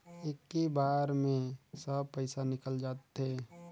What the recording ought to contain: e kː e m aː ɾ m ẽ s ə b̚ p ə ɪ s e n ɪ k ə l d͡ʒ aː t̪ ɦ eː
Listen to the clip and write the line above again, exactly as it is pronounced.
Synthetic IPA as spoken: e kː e b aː ɾ m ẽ s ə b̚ p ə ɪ s a n ɪ k ə l d͡ʒ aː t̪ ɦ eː